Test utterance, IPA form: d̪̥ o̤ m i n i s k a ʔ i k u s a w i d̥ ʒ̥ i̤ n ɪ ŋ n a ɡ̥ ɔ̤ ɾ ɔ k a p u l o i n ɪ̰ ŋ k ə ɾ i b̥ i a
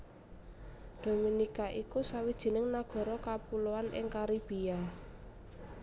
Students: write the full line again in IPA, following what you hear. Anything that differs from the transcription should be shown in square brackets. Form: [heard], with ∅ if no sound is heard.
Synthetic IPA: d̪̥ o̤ m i n i [∅] k a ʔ i k u s a w i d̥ ʒ̥ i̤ n ɪ ŋ n a ɡ̥ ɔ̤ ɾ ɔ k a p u l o [a] n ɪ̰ ŋ k [a] ɾ i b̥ i a